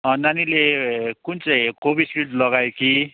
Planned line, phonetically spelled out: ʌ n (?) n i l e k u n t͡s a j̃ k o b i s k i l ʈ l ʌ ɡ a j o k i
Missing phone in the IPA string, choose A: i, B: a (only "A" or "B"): B